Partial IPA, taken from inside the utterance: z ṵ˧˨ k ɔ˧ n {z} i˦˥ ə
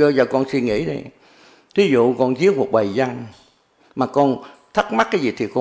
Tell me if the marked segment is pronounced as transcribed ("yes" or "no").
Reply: yes